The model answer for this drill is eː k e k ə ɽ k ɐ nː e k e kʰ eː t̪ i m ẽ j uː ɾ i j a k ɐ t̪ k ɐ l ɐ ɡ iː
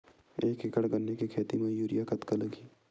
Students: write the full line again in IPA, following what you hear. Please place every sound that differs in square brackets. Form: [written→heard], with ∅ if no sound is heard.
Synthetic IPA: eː k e k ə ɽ [k→ɡ] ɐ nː e k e kʰ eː t̪ i m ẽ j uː ɾ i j a k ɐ t̪ k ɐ l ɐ ɡ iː